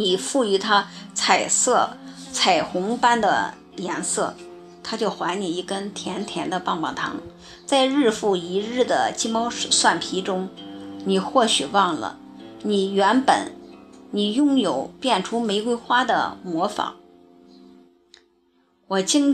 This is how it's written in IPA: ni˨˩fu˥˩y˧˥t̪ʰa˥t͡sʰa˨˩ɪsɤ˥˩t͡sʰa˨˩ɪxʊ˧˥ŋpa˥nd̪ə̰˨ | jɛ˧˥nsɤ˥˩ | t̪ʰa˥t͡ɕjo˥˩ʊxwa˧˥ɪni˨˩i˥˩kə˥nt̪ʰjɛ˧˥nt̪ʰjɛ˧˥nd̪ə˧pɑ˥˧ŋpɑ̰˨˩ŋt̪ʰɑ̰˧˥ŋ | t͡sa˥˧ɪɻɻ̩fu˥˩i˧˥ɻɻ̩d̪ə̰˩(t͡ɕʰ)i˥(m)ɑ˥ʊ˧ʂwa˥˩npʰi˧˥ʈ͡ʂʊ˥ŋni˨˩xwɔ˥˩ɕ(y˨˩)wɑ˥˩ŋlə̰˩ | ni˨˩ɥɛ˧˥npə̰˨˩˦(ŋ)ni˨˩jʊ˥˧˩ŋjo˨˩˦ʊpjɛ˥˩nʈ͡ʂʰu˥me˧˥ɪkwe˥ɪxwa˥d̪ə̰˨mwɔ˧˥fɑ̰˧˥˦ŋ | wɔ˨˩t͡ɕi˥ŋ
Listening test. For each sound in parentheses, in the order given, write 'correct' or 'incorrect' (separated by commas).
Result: incorrect, correct, correct, incorrect